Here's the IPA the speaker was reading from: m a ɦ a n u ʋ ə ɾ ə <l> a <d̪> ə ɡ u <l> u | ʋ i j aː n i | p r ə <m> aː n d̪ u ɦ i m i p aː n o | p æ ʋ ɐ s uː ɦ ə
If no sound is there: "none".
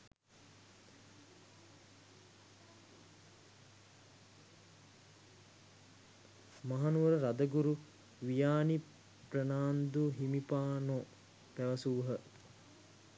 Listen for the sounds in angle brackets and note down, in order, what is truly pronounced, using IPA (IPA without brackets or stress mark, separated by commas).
ɾ, d̪, ɾ, n